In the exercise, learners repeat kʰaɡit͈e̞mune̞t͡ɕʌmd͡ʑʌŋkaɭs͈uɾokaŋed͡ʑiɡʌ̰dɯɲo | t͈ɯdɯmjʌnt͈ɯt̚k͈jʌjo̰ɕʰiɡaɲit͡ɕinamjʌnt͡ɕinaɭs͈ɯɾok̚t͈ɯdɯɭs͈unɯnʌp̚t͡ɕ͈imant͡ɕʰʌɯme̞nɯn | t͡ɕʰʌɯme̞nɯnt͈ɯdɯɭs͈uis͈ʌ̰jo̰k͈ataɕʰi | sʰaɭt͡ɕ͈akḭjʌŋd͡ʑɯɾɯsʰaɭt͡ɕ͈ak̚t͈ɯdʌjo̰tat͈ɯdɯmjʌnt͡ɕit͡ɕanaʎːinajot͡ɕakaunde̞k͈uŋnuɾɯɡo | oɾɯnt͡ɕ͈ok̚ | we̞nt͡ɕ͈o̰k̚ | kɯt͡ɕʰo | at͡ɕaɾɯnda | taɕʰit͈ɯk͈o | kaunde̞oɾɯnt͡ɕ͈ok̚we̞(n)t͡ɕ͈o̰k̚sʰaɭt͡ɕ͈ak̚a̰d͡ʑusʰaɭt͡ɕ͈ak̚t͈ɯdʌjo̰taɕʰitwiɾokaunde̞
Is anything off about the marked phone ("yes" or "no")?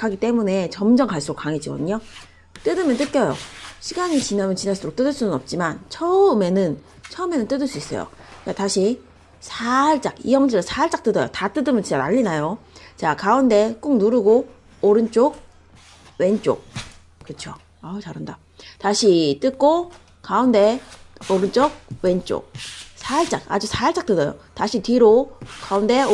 no